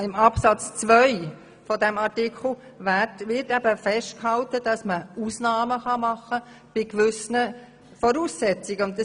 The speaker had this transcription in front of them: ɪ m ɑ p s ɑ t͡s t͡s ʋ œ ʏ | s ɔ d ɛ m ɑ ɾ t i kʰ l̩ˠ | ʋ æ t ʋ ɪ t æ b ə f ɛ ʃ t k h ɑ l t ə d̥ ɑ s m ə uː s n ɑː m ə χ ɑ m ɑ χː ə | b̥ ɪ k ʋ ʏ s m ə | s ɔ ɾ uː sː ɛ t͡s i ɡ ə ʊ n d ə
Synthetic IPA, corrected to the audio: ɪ m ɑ p s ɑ t͡s t͡s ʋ œ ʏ | f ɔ d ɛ m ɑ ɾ t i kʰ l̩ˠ | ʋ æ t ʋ ɪ t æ b ə f ɛ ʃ t k h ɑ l t ə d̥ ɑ s m ə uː s n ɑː m ə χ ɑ m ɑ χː ə | b̥ ɪ k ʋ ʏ s n ə | f ɔ ɾ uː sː ɛ t͡s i ɡ ə ʊ n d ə